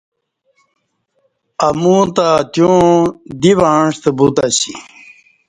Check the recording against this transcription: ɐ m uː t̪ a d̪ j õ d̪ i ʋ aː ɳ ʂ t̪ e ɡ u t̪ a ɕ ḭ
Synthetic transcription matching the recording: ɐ m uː t̪ a t̪ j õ d̪ i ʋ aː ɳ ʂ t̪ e b u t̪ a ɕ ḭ